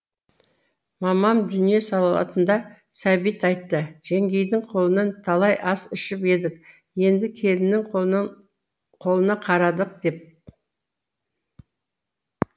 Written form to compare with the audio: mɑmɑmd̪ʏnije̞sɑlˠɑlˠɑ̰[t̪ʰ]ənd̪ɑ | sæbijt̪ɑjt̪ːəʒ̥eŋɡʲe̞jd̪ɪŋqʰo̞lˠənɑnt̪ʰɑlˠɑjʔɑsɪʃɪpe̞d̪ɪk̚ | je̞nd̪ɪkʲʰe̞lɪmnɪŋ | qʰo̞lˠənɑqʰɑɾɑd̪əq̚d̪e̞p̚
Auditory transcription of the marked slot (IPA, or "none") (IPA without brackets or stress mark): t̪